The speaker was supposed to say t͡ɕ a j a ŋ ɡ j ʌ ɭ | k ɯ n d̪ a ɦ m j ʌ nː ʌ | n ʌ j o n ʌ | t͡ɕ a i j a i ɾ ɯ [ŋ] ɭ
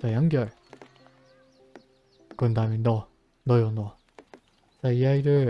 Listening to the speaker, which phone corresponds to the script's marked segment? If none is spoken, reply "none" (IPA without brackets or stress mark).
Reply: none